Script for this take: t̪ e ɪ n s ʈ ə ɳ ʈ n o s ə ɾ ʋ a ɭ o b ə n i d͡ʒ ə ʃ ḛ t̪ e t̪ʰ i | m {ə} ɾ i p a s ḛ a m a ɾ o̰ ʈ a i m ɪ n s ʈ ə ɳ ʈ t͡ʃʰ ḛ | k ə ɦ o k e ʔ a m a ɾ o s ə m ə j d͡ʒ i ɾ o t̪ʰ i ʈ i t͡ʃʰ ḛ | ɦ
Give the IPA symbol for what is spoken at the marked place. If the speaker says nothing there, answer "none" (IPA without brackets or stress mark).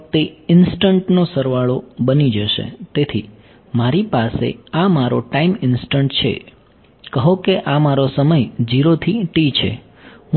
a